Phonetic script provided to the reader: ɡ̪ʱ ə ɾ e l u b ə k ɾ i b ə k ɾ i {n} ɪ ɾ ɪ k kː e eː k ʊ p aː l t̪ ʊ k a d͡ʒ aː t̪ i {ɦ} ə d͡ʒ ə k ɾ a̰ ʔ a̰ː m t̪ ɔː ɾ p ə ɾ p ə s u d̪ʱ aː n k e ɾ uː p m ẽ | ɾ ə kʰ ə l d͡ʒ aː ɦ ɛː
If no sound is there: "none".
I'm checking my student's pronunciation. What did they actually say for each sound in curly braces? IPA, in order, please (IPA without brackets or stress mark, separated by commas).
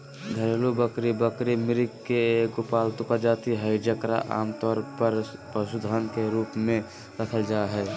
m, ɦ